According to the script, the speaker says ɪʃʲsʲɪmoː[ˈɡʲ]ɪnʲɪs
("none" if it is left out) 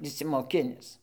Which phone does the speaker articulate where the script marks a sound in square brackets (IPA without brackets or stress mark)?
kʲ